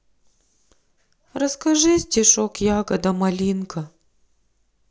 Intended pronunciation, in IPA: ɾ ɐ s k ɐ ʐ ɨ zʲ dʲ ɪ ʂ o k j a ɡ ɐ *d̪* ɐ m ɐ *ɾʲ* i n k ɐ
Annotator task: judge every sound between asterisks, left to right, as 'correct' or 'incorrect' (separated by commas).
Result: correct, incorrect